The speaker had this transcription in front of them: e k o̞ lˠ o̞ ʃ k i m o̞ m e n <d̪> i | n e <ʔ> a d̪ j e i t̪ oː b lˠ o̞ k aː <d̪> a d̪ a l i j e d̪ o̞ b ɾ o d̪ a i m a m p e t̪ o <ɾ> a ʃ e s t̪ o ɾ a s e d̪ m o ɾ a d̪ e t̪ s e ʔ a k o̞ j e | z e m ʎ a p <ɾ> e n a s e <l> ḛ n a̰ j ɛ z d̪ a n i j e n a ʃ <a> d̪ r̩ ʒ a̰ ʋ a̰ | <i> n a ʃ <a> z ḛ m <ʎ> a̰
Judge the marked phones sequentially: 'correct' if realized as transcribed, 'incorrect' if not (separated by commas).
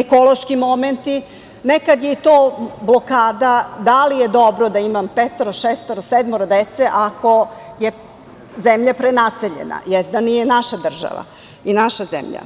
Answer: incorrect, incorrect, correct, correct, correct, incorrect, correct, correct, correct, correct